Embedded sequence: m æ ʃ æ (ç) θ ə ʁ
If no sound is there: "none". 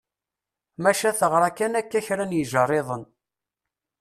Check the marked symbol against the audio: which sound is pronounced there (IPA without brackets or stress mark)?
none